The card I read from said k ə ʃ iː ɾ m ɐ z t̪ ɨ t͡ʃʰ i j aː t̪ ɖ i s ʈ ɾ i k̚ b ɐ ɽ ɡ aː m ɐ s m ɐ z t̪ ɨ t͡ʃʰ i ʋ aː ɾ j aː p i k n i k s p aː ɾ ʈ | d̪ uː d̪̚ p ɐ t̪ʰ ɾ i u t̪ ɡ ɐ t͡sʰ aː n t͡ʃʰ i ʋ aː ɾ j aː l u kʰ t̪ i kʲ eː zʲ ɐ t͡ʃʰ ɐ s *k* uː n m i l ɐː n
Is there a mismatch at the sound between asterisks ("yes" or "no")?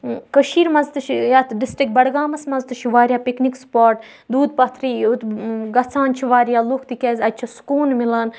no